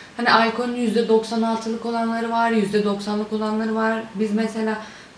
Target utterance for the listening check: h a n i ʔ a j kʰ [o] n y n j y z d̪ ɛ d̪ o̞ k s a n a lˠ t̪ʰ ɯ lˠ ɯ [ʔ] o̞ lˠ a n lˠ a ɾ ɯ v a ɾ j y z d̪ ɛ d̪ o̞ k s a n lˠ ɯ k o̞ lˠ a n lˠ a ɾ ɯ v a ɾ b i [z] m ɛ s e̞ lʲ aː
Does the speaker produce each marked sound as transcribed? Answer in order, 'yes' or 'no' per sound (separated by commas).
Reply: yes, no, yes